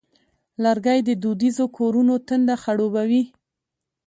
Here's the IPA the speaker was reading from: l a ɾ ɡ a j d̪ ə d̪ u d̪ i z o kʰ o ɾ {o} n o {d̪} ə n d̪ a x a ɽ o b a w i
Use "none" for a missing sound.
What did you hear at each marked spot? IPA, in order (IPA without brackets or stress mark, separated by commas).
u, t̪